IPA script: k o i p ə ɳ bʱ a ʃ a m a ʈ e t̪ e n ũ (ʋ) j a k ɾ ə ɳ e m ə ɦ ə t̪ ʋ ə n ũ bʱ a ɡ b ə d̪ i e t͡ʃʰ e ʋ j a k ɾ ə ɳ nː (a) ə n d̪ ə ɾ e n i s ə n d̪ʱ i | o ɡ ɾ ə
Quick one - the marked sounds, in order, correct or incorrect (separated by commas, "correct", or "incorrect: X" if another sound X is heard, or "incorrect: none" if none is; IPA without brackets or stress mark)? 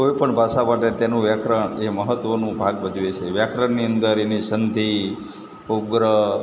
correct, incorrect: i